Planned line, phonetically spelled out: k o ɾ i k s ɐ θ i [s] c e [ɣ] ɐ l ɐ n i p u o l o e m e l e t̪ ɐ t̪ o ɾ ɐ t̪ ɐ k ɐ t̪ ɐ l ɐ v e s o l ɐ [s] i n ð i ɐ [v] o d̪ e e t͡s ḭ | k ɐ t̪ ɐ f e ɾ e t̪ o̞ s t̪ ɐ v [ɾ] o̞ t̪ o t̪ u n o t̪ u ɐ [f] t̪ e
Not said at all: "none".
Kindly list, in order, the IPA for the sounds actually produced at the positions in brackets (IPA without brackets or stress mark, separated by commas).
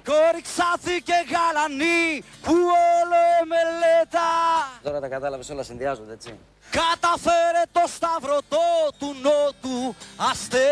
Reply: none, ɣ, s, z, ɾ, s